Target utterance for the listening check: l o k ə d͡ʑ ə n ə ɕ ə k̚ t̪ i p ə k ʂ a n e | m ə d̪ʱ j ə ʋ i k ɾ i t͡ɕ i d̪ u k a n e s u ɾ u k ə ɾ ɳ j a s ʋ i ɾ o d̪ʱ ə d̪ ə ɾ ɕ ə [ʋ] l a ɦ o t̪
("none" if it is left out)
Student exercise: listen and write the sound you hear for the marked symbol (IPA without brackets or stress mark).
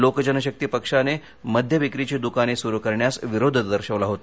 ʋ